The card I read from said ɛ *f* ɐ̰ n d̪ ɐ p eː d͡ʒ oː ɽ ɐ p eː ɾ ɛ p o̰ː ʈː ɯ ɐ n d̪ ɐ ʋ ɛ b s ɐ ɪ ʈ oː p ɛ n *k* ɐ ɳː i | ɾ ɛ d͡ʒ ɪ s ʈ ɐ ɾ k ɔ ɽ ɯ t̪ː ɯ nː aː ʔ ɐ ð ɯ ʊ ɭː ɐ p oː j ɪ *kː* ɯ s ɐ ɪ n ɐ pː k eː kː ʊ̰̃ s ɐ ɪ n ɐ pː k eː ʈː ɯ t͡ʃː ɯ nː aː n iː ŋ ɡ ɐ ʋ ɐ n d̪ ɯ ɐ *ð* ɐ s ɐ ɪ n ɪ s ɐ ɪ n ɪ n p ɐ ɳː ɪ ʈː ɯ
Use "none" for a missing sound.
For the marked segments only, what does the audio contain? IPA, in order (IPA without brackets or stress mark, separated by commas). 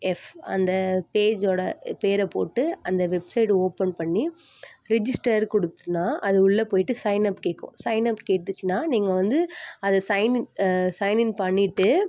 f, p, ʈː, ð